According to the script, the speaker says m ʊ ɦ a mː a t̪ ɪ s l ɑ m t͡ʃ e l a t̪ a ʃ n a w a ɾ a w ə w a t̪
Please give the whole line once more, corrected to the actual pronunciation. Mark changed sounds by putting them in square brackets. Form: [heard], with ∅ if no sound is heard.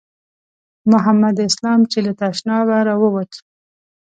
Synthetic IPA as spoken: m ʊ ɦ a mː a [d̪] ɪ s l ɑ m t͡ʃ e l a t̪ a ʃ n [ɑ] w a ɾ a w ə w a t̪